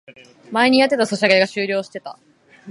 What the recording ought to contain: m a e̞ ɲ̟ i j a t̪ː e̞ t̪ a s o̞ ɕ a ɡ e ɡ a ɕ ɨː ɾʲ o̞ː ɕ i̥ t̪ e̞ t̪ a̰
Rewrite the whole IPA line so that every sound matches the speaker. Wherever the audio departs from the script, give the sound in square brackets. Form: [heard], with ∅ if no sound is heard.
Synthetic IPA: m a e̞ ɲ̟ i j a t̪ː e̞ t̪ a s o̞ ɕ a ɡ e ɡ a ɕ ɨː ɾʲ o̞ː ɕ i̥ t̪ e̞ t̪ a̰